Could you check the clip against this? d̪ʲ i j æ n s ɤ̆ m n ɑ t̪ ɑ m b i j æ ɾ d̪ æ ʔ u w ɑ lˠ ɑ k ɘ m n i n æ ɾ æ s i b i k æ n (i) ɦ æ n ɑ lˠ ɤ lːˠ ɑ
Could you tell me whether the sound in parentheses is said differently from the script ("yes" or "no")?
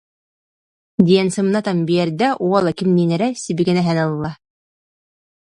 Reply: yes